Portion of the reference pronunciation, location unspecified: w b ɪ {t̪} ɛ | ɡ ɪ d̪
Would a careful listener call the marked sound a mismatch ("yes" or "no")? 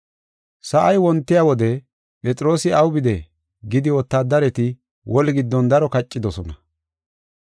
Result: yes